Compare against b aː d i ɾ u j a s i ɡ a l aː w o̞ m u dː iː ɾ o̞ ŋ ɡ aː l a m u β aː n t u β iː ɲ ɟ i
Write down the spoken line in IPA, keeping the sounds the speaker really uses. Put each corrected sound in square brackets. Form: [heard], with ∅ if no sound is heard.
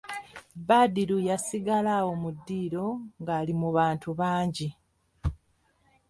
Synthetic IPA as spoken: b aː d i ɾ u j a s i ɡ a l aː w o̞ m u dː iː ɾ o̞ ŋ ɡ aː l [i] m u β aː n t u β [aː] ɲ ɟ i

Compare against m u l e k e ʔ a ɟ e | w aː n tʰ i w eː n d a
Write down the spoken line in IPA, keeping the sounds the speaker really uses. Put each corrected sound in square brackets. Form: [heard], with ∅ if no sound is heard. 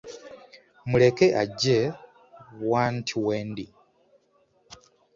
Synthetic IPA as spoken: m u l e k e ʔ a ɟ e | w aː n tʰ i w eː n d [i]

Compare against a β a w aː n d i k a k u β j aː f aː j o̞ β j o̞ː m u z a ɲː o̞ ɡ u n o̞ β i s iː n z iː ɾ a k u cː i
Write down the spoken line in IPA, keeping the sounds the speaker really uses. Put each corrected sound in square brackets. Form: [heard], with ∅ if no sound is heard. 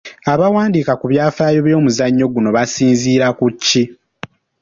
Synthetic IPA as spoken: a β a w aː n d i k a k u β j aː f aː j o̞ β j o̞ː m u z a ɲː o̞ ɡ u n o̞ β [a] s iː n z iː ɾ a k u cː i

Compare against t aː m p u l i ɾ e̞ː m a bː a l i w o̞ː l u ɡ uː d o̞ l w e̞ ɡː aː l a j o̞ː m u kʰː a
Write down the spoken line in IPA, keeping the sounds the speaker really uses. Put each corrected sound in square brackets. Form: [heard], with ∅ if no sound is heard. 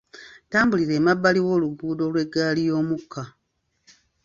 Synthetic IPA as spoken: t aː m [b] u l i ɾ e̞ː m a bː a l i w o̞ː l u ɡ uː d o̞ l w e̞ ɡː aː l [i] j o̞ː m u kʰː a

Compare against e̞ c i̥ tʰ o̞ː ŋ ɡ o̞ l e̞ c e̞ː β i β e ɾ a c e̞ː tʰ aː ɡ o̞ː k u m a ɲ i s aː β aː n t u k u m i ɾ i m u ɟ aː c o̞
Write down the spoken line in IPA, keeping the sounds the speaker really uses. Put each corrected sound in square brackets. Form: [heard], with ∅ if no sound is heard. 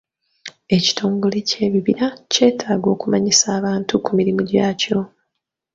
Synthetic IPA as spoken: e̞ c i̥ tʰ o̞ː ŋ ɡ o̞ l e̞ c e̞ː β i β [i] ɾ a c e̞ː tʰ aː ɡ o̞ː k u m a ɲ i s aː β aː n t u k u m i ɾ i m u ɟ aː c o̞

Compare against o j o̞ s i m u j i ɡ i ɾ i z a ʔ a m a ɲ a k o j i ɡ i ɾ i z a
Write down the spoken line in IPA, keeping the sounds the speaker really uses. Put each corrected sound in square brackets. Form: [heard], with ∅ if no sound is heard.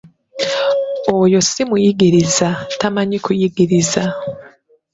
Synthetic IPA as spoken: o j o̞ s i m u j i ɡ i ɾ i z a [t] a m a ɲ [i] k [u] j i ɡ i ɾ i z a

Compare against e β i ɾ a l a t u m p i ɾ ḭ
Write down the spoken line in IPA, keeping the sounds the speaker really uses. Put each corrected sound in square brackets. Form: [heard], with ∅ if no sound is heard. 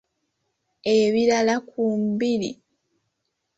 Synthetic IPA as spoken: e β i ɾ a l a [k] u m [b] i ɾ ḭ

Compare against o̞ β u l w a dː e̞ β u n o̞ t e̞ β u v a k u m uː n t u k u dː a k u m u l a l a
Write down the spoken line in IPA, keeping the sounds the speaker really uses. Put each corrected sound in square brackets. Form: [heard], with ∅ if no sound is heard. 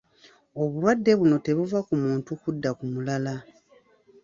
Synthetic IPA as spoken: o̞ β u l w a dː e̞ β u n o̞ t e̞ β u v a k u m uː n t u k u dː a k u m u l a l a

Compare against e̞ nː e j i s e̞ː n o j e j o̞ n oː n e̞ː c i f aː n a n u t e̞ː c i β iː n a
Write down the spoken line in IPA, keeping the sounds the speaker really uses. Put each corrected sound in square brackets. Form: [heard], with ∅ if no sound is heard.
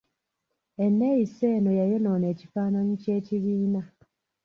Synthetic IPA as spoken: e̞ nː e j i s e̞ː n o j [a] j o̞ n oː n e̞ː c i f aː n a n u [c] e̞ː c i β iː n a

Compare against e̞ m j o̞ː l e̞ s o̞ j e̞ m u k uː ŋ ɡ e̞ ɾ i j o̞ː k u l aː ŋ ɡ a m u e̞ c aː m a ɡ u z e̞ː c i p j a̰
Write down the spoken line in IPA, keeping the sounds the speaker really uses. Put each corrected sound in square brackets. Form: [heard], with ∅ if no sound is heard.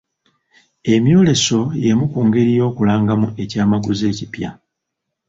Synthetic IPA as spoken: e̞ m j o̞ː l e̞ s o̞ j e̞ m u k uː ŋ ɡ e̞ ɾ i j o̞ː k u l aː ŋ ɡ a m u e̞ c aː m a ɡ u z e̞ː c i p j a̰

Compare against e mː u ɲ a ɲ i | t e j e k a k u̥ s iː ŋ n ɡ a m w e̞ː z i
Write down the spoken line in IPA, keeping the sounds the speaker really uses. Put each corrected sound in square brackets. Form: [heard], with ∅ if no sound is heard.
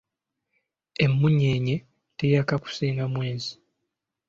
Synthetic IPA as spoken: e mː u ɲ [e] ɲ [e] | t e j [a] k a k u̥ s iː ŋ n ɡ a m w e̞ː z i

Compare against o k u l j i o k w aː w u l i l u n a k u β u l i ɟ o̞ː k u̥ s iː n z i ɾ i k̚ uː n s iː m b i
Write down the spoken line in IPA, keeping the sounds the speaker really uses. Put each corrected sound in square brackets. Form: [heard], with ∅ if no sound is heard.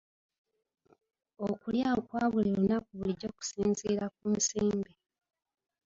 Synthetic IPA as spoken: o k u l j [a] o k w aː [β] u l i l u n a k u β u l i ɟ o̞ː k u̥ s iː n z i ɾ [a] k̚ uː n s iː m b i

